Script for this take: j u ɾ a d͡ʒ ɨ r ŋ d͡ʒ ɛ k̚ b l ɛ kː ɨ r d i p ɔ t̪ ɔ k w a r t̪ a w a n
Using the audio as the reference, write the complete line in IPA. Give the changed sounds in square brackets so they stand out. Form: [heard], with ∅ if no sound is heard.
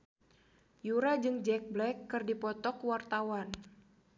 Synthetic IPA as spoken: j u ɾ a d͡ʒ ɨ [∅] ŋ d͡ʒ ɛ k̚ b l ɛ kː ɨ r d i p ɔ t̪ ɔ k w a r t̪ a w a n